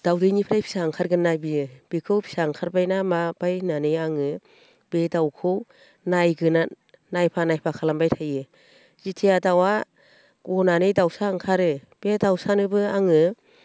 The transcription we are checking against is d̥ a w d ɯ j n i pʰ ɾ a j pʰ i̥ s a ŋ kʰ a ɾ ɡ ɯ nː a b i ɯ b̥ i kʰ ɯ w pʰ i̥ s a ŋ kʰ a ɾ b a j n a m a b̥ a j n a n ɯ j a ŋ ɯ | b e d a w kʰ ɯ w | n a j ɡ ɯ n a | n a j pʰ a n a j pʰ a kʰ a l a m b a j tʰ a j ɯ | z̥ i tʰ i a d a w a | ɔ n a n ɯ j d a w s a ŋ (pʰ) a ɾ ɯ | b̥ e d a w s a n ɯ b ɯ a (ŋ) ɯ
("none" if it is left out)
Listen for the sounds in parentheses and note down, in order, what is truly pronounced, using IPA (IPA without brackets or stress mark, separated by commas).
kʰ, ŋ